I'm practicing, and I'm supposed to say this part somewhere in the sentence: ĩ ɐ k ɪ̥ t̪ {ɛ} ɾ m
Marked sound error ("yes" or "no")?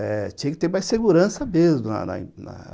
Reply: yes